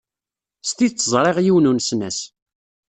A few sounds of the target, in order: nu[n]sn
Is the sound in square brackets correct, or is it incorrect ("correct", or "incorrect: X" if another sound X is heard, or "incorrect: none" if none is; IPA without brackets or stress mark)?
correct